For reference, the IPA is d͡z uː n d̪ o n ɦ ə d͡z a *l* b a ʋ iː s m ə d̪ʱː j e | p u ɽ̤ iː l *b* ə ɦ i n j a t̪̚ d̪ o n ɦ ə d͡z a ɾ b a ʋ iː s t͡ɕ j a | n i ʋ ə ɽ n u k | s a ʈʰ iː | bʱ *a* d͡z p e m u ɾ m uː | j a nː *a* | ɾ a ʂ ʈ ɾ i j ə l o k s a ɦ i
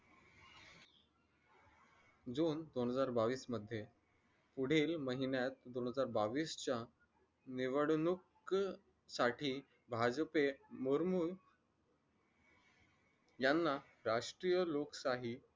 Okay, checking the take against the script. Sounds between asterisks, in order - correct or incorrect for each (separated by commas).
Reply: incorrect, incorrect, correct, correct